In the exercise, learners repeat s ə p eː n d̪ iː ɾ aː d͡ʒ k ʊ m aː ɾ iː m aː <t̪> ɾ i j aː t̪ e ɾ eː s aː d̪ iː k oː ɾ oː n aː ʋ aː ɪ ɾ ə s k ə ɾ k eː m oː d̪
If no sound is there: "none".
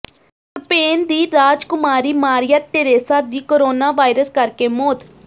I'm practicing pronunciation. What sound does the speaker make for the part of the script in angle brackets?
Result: none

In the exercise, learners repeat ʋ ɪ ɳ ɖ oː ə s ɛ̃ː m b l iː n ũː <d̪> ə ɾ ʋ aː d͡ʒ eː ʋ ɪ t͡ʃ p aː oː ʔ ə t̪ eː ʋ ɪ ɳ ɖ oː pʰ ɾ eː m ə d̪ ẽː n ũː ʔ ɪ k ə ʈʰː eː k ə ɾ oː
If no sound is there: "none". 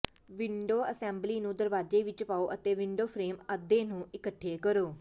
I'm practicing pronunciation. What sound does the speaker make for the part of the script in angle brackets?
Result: d̪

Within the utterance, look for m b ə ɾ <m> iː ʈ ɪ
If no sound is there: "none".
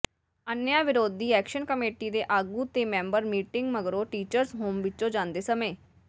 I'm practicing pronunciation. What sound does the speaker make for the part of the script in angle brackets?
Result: m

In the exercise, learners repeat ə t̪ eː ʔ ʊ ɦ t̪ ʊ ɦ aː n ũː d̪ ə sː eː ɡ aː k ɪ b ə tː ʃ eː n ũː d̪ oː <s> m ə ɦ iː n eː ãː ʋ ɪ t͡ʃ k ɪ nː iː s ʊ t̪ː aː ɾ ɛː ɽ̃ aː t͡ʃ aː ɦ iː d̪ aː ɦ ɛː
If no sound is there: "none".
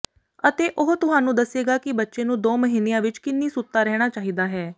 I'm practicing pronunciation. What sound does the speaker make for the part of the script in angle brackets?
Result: none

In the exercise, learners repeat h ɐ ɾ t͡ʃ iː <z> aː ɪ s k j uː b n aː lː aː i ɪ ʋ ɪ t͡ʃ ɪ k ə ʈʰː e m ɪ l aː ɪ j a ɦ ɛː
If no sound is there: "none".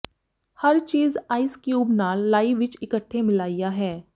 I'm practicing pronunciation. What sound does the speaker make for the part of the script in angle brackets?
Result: z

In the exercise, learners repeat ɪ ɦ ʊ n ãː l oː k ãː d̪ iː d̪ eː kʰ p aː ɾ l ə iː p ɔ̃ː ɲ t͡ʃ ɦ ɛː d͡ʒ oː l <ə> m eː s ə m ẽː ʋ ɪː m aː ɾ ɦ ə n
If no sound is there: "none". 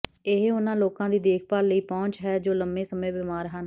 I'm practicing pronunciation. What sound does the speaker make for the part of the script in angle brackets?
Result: ə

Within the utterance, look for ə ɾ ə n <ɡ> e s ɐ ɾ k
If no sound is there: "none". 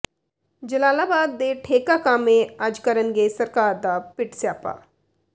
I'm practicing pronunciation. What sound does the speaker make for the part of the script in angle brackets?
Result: ɡ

